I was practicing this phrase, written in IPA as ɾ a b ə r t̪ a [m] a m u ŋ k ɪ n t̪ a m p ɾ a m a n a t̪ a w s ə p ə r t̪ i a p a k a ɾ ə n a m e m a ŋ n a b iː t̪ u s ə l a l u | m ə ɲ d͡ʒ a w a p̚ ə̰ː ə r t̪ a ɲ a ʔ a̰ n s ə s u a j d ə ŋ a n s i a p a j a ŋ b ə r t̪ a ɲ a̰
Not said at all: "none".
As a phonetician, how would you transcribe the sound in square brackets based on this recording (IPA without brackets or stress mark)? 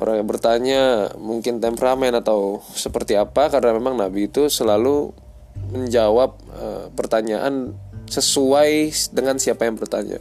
ɲ